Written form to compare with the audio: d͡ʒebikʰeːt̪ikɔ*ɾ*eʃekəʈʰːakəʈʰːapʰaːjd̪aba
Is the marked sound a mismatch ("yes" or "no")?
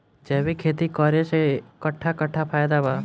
no